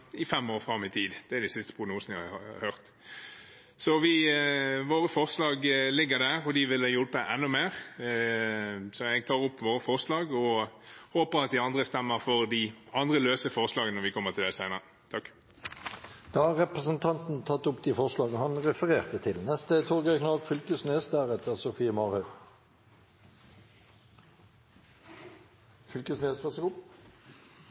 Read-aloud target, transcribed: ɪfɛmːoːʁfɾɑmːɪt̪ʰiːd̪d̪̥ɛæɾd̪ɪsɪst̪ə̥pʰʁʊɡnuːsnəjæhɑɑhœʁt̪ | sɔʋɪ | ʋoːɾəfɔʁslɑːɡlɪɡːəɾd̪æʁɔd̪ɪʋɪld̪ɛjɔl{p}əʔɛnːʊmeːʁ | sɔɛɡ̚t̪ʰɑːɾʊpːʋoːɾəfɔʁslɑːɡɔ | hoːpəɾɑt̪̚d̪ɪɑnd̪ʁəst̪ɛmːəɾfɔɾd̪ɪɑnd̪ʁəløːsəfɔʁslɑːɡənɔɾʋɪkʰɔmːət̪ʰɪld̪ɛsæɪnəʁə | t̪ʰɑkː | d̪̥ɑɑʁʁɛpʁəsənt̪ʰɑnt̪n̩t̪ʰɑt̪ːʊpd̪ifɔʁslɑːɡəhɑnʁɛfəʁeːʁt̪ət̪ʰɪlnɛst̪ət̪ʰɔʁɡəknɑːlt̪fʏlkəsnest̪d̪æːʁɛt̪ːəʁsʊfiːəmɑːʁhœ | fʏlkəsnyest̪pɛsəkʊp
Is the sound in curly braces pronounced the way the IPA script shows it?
yes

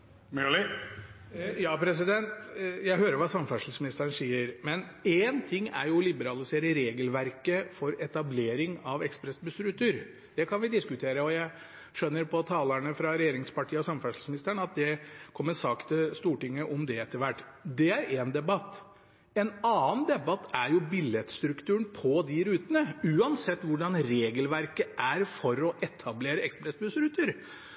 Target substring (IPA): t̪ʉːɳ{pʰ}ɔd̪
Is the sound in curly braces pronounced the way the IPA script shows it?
yes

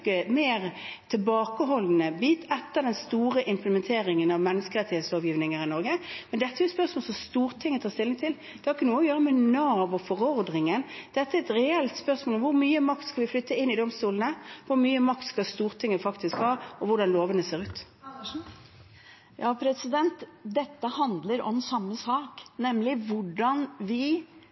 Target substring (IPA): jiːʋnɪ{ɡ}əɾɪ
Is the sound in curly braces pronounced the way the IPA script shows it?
no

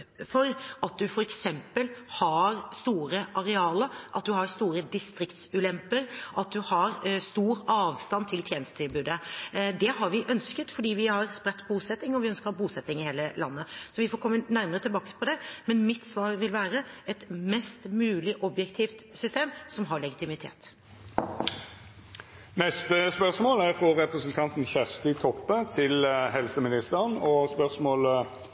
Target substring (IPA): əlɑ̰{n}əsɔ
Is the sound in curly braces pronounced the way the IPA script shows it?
no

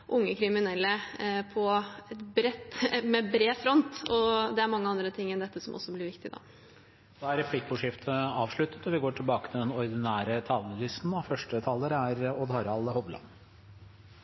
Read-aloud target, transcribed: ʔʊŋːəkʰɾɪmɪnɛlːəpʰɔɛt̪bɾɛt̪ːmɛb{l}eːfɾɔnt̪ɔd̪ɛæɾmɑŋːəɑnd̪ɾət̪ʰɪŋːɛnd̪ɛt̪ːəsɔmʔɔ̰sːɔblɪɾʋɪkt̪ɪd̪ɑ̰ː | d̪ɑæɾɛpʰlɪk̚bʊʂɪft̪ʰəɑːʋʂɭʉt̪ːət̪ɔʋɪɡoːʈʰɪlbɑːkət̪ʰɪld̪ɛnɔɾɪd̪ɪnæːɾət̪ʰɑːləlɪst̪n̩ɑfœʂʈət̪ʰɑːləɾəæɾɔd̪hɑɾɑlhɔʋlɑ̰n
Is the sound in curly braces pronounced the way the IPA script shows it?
no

